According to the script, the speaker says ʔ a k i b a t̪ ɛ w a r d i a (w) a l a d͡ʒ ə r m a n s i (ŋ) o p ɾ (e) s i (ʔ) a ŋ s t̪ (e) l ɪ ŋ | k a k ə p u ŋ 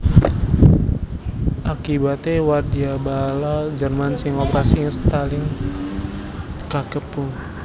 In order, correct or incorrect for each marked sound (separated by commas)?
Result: incorrect, correct, incorrect, incorrect, incorrect